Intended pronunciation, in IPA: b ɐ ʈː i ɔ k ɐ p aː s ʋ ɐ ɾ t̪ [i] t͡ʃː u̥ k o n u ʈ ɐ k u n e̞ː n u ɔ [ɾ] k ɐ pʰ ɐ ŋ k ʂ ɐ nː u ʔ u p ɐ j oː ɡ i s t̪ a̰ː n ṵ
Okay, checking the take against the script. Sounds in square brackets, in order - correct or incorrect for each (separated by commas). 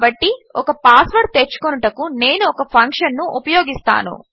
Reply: incorrect, incorrect